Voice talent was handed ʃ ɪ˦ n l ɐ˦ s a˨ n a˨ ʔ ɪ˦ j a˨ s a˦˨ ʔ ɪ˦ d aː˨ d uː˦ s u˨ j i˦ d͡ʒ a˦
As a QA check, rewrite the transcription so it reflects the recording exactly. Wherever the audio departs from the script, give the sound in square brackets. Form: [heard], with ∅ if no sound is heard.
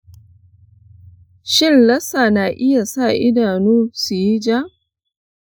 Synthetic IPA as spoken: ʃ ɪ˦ n l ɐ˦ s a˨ n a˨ ʔ ɪ˦ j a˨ s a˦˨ ʔ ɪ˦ d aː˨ [n] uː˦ s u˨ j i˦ d͡ʒ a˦